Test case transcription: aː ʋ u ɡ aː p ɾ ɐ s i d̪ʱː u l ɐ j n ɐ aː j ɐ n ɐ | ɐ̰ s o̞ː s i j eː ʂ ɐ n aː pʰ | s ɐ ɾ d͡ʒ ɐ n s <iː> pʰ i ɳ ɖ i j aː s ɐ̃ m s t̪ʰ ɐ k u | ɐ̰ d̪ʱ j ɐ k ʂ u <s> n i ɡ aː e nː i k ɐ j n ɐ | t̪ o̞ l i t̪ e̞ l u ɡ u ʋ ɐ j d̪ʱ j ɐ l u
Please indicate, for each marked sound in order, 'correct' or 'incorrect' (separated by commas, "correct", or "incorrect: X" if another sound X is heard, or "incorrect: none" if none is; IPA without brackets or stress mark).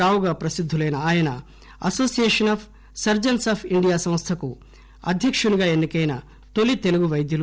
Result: incorrect: aː, incorrect: none